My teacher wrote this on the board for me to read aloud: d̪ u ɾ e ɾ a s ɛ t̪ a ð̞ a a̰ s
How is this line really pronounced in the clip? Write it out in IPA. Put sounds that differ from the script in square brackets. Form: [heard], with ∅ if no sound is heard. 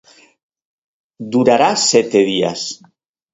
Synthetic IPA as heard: d̪ u ɾ [a] ɾ a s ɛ t̪ [e] ð̞ [i] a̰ s